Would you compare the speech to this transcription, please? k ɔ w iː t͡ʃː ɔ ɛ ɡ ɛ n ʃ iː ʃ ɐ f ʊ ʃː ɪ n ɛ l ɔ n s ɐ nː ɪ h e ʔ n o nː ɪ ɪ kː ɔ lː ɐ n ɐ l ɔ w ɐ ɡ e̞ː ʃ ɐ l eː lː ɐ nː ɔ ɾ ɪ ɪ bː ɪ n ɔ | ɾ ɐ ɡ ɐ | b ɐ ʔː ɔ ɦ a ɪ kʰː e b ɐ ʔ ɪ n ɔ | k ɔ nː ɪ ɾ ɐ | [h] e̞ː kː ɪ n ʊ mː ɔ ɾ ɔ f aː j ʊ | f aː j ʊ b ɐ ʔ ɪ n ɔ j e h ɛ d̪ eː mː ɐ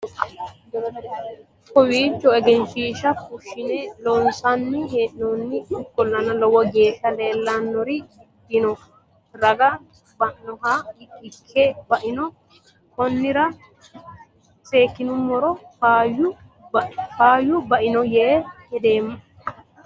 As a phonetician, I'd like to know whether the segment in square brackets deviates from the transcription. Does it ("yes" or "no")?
yes